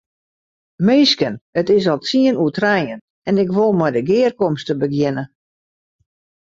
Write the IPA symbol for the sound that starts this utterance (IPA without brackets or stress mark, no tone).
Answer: m